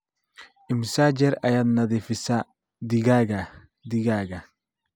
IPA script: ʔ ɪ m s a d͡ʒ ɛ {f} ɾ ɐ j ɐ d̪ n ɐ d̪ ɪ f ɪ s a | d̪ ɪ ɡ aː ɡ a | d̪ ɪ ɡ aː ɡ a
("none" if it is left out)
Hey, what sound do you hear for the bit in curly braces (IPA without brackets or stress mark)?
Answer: none